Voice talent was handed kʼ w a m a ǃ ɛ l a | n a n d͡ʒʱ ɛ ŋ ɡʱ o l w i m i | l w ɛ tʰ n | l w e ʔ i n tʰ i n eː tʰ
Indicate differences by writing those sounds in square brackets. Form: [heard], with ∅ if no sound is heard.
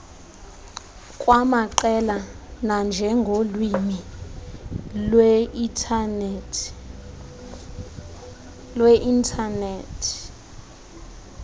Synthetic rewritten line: kʼ w a m a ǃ ɛ l a | n a n d͡ʒʱ ɛ ŋ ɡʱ o l w i m i | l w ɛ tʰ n | l w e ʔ i n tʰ [a] n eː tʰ